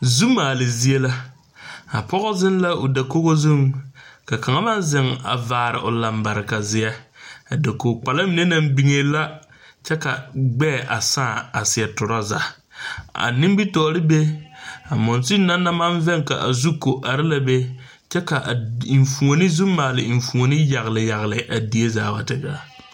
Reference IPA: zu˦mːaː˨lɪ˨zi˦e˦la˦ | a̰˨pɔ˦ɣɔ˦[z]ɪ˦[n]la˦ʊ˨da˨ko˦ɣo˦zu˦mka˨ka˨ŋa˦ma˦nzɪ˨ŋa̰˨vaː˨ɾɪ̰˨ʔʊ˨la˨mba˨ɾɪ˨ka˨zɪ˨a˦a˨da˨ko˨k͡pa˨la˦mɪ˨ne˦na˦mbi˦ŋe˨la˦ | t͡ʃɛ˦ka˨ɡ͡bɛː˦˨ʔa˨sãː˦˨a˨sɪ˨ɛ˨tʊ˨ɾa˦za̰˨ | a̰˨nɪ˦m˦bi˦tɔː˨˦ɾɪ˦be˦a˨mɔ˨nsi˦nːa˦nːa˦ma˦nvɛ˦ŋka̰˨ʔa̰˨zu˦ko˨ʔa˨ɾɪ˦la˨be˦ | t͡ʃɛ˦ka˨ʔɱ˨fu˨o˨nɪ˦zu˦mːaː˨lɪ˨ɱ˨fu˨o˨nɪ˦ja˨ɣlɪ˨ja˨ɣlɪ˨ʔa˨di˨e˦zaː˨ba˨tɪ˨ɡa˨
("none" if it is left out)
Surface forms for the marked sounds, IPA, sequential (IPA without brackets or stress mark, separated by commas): z, n